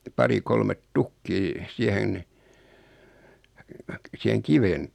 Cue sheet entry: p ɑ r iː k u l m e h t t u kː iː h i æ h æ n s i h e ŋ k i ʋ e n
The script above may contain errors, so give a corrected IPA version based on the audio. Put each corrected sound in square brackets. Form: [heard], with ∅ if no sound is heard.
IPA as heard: p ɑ r [i] k [o] l m e [∅] t t u kː iː [s] i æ h [e] n s i h e ŋ k i ʋ e n